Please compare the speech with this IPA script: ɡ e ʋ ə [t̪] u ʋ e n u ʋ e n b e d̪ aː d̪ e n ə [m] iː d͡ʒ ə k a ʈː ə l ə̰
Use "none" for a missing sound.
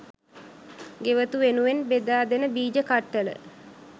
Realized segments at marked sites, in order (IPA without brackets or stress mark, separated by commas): t̪, b